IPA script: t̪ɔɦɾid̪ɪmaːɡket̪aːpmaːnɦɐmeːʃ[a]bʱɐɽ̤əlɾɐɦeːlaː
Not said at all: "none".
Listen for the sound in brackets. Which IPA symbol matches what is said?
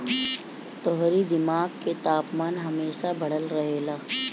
a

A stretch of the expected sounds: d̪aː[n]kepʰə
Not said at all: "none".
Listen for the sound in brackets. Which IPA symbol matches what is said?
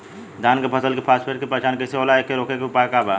n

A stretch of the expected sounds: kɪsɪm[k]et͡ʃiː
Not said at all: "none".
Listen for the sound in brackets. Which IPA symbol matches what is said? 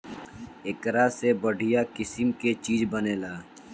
k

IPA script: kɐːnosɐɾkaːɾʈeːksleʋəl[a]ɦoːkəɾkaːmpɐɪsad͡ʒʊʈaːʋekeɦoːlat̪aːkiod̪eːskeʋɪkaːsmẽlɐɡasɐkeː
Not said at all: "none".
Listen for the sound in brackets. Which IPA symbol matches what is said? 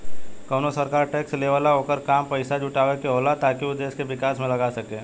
a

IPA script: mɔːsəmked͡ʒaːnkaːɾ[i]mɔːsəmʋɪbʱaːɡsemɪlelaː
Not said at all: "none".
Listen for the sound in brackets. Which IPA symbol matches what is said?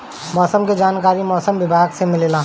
i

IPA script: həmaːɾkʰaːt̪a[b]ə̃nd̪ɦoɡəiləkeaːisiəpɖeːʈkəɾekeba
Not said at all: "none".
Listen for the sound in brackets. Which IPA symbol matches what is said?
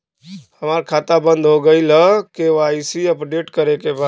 b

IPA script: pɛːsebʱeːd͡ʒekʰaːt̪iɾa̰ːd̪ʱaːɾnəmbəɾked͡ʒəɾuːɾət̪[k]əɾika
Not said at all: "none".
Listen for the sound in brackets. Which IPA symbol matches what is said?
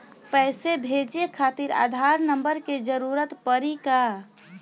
p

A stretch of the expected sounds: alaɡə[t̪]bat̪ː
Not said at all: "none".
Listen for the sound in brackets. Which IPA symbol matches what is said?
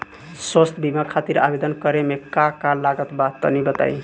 t̪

